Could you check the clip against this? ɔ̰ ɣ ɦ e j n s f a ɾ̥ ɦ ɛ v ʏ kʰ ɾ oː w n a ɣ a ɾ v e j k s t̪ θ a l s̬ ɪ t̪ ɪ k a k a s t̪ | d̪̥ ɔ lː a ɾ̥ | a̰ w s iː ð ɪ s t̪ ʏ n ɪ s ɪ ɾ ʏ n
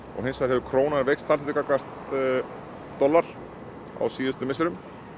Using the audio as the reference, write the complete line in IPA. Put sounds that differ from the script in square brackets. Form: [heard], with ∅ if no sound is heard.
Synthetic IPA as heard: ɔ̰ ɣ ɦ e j n s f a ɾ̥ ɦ ɛ v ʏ kʰ ɾ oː w n a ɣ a ɾ v e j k s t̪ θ a l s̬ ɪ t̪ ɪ k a k a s t̪ | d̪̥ ɔ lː a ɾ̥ | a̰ w s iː ð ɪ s t̪ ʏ [m] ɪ s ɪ ɾ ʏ [m]